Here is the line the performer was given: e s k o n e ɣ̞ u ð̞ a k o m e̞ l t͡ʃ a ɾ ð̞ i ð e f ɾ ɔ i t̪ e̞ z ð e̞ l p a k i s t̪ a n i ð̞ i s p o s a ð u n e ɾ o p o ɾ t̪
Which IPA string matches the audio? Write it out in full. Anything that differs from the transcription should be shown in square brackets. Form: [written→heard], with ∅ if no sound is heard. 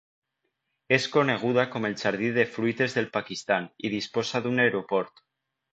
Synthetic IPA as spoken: e s k o n e ɣ̞ u ð̞ a k o m e̞ l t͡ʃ a ɾ ð̞ i ð e f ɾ [ɔ→u] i t̪ e̞ z ð e̞ l p a k i s t̪ a n i ð̞ i s p o s a ð u n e ɾ o p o ɾ t̪